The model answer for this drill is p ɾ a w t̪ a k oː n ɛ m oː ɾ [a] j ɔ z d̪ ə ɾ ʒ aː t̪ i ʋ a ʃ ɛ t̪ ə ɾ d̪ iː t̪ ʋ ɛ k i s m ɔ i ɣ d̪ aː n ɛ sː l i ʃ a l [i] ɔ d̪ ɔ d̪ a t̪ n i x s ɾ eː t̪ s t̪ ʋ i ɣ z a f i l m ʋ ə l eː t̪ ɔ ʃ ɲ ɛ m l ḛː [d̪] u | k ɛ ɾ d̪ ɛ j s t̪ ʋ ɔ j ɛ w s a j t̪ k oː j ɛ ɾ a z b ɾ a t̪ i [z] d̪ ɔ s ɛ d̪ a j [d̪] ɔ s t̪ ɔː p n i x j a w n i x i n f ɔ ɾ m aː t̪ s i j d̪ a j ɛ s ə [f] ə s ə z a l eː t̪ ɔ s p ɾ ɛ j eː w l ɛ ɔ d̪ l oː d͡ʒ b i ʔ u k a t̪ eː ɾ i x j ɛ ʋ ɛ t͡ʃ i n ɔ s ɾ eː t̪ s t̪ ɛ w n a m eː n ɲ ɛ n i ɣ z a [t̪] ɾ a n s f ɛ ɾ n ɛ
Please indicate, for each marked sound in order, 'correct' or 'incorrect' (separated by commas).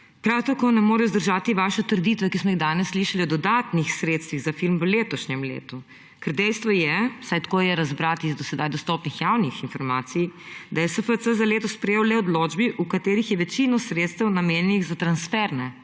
incorrect, correct, incorrect, correct, correct, correct, correct